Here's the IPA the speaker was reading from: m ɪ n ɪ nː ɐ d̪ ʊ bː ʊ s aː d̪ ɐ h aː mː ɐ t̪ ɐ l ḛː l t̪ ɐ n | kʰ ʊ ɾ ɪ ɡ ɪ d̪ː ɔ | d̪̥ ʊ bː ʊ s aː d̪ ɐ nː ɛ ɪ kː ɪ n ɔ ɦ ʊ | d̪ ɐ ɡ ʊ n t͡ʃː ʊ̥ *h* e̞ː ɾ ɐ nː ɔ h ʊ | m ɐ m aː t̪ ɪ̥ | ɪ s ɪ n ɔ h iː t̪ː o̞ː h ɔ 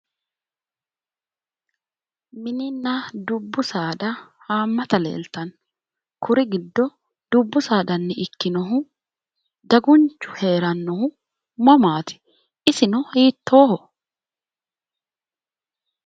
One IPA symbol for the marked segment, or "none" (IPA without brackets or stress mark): h